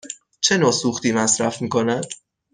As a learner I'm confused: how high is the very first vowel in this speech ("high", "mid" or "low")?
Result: mid